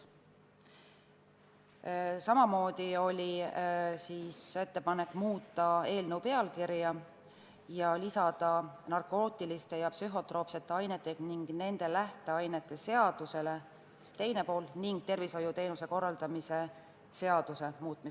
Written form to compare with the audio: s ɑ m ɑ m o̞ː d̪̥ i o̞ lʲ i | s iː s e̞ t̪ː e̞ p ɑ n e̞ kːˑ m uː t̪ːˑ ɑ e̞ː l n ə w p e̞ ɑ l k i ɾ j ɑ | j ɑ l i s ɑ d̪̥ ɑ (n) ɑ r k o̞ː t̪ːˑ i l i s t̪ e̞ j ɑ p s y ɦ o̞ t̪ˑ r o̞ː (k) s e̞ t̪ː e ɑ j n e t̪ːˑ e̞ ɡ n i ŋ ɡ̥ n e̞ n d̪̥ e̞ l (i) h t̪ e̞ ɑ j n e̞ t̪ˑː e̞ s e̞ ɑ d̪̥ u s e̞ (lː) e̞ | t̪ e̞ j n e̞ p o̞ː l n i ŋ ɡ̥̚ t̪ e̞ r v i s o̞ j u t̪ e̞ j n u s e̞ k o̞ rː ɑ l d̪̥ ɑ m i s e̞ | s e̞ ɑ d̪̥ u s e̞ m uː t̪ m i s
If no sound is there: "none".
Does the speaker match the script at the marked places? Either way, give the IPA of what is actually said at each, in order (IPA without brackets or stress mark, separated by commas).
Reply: n, p, æ, l